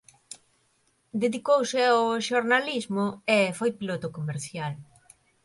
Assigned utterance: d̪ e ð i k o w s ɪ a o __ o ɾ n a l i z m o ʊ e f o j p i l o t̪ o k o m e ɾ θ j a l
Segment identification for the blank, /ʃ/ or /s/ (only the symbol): ʃ